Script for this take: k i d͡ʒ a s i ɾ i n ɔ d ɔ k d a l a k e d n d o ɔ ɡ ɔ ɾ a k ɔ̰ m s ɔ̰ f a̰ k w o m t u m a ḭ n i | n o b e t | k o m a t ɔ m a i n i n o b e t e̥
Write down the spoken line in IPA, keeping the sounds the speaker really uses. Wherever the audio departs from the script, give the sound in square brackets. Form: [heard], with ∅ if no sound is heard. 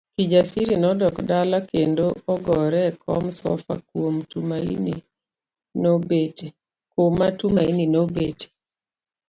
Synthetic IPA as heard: k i d͡ʒ a s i ɾ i n ɔ d ɔ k d a l a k e [∅] n d o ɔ ɡ ɔ ɾ [ɛ] k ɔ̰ m s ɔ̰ f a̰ k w o m t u m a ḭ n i | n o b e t | k o m a t [u] m a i n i n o b e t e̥